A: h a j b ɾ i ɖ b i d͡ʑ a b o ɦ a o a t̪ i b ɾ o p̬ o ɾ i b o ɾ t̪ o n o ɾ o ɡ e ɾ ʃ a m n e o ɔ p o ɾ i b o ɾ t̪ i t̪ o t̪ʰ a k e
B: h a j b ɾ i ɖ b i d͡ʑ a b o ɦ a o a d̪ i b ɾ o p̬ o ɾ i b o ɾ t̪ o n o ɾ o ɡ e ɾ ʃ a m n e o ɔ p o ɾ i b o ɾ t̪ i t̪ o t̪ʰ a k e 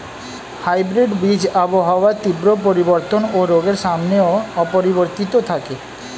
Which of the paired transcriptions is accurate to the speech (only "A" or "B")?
A